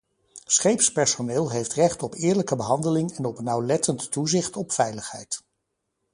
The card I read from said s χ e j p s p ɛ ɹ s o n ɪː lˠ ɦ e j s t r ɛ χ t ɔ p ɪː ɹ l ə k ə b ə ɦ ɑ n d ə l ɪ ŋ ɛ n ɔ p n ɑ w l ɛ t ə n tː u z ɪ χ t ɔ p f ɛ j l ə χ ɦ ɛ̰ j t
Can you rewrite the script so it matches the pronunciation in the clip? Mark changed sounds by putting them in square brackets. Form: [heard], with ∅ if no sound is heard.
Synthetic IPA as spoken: s χ e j p s p ɛ ɹ s o n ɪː lˠ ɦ e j [f] t r ɛ χ t ɔ p ɪː ɹ l ə k ə b ə ɦ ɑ n d ə l ɪ ŋ ɛ n ɔ p n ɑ w l ɛ t ə n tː u z ɪ χ t ɔ p f ɛ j l ə χ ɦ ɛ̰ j t